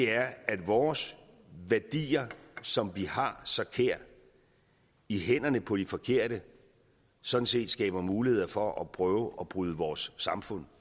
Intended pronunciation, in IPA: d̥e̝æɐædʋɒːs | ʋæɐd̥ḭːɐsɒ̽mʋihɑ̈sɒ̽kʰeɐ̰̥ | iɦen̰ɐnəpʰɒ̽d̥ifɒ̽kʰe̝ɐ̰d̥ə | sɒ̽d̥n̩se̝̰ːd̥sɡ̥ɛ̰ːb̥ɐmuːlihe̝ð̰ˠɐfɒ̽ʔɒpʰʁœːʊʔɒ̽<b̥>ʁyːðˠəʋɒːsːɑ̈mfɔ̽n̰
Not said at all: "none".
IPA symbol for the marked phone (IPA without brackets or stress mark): b̥